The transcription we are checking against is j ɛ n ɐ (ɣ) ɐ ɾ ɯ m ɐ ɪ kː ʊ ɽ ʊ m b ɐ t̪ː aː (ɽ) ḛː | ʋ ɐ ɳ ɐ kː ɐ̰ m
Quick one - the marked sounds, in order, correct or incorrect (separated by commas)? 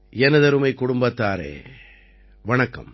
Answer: incorrect, incorrect